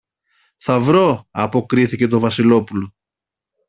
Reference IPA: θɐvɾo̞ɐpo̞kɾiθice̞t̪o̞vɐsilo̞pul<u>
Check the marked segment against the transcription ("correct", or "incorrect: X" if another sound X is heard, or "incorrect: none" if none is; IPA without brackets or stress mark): incorrect: o